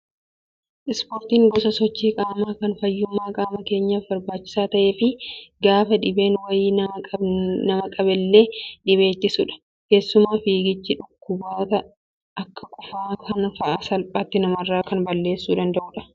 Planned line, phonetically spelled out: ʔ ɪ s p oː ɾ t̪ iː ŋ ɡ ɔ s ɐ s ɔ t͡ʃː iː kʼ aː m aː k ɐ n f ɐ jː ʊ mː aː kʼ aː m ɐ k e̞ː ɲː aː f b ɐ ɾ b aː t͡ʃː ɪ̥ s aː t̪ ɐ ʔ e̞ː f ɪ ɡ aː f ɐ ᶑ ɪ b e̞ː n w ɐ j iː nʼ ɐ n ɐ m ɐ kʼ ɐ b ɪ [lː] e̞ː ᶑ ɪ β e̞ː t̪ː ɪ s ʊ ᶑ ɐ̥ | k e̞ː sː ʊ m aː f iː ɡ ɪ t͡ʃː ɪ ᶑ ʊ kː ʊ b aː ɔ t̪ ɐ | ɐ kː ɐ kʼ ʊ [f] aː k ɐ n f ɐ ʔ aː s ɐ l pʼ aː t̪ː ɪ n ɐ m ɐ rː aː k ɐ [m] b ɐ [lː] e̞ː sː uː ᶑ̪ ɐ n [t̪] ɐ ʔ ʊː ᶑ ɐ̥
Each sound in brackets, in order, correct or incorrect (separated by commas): correct, correct, incorrect, correct, incorrect